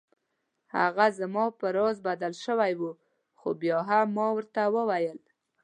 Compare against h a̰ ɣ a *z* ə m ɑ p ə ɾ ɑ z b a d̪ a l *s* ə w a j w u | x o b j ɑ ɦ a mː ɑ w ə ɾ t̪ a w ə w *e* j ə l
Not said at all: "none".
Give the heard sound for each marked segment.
z, ʃ, a

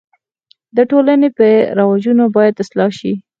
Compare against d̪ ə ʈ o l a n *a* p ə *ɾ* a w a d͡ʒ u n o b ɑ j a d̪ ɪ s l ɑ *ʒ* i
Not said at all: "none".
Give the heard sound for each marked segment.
e, ɾ, ʃ

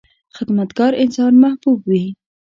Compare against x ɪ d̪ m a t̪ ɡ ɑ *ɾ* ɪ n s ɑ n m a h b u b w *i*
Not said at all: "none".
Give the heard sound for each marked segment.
ɾ, i

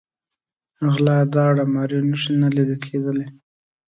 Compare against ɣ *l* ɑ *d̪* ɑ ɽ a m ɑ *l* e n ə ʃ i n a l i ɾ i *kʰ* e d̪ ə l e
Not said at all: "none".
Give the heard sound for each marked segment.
l, d̪, ɾ, kʰ

